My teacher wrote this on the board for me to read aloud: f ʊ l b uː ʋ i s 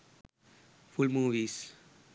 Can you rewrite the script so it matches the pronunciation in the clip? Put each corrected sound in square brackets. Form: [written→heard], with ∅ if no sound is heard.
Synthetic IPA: f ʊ l [b→m] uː ʋ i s